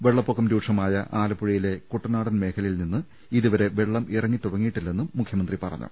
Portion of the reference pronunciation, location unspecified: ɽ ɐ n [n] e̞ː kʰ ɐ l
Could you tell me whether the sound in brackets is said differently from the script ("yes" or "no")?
yes